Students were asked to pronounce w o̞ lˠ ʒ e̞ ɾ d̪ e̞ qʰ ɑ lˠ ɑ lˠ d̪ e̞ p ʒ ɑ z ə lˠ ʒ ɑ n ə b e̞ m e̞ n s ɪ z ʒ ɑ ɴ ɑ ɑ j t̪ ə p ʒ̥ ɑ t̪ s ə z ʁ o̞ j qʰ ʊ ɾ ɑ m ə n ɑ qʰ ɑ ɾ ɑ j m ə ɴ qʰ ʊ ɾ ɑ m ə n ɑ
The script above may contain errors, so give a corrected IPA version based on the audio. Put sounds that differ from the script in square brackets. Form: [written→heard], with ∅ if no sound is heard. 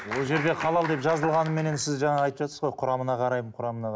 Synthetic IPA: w o̞ lˠ ʒ e̞ ɾ d̪ e̞ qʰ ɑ lˠ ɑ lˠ d̪ e̞ p ʒ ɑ z ə lˠ [ʒ→ʁ] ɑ n ə [b→m] e̞ [m→n] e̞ n s ɪ z ʒ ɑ ɴ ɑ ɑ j t̪ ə p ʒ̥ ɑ t̪ s ə z ʁ o̞ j qʰ ʊ ɾ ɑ m ə n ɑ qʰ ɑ ɾ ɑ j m ə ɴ qʰ ʊ ɾ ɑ m ə n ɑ